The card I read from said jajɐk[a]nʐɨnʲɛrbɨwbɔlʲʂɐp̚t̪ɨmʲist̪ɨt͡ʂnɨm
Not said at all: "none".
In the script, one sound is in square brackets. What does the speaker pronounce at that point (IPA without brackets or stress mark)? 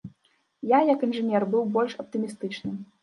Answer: i